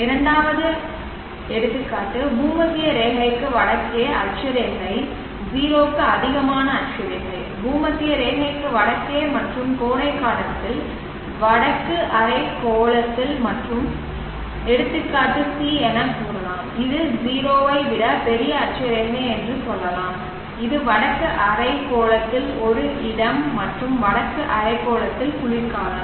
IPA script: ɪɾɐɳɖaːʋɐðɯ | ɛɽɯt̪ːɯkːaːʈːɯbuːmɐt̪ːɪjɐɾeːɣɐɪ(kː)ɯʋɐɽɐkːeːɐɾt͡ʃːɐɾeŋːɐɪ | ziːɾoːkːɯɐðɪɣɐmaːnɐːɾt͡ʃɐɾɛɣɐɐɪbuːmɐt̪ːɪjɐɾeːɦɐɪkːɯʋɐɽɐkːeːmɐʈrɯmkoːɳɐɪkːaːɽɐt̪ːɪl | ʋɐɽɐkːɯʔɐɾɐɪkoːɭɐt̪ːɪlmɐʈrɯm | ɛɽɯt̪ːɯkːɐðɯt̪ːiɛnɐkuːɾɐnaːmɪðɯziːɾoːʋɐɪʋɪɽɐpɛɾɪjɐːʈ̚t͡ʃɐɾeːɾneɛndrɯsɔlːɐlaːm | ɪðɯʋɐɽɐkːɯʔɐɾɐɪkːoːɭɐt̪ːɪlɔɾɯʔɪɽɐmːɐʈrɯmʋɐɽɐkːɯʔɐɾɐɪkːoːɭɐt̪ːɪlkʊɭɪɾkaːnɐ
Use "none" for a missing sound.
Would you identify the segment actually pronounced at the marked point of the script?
kː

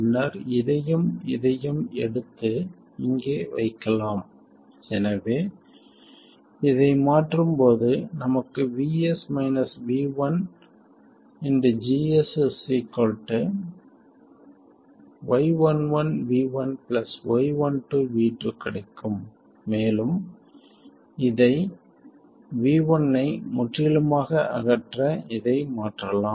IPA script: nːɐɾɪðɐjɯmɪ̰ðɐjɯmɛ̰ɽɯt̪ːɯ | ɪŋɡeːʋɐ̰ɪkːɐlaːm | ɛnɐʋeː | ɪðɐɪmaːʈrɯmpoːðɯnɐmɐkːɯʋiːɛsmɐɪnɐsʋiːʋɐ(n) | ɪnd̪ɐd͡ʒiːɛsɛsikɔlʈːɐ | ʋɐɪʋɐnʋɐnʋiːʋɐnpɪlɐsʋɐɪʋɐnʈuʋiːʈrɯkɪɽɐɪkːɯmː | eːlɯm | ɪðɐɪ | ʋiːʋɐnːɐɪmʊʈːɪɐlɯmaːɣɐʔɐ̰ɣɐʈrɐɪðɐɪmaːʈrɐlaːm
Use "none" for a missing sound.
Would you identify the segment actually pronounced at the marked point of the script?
n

